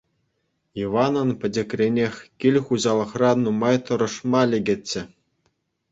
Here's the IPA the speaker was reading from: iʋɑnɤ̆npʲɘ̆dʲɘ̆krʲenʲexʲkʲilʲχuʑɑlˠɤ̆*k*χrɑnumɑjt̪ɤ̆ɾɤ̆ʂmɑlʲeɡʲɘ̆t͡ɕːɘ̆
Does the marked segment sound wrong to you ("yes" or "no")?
yes